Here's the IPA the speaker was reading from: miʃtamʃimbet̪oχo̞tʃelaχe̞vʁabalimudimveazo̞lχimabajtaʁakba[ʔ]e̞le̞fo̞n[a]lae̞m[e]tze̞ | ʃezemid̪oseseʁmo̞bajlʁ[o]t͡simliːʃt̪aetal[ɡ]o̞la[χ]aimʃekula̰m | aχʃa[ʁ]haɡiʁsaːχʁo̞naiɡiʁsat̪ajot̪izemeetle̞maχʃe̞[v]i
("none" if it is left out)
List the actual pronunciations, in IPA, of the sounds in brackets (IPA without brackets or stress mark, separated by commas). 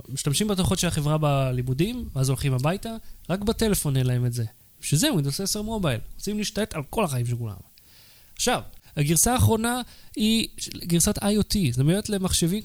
t, e, e, o, k, χ, v, v